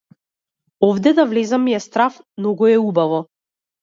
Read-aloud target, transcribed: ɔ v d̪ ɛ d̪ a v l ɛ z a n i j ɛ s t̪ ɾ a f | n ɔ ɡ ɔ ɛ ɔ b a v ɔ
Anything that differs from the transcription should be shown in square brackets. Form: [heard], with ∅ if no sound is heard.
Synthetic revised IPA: ɔ v d̪ ɛ d̪ a v l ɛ z a [m] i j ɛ s t̪ ɾ a f | n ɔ ɡ ɔ ɛ [u] b a v ɔ